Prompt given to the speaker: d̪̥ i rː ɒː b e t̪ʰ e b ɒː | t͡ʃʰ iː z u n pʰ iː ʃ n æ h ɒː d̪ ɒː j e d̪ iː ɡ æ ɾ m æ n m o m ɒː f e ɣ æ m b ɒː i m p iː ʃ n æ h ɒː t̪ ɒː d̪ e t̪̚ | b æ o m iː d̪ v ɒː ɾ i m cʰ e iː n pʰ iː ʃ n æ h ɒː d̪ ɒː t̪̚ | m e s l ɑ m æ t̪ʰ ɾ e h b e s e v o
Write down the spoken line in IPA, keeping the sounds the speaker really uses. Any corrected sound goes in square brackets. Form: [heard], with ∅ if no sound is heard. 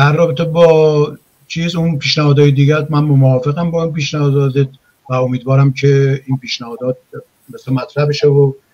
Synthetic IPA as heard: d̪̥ [æ] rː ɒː b e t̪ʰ e b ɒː | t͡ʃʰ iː z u n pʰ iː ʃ n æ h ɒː d̪ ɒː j e d̪ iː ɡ æ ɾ m æ n m o m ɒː f e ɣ æ m b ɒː i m p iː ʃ n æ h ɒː [d̪] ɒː d̪ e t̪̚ | [v] æ o m iː d̪ v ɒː ɾ [æ] m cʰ e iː n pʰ iː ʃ n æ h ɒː d̪ ɒː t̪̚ | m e s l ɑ m æ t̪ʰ ɾ [æ] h b e [ʃ] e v o